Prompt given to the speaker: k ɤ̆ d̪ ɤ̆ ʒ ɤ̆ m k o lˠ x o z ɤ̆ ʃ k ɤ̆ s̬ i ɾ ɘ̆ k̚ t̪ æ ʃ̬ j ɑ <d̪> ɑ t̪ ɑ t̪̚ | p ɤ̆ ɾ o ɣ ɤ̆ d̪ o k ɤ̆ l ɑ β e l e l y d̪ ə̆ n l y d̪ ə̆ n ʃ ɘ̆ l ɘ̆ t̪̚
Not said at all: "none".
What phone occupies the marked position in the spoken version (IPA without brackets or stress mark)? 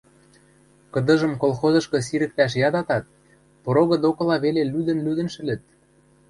d̪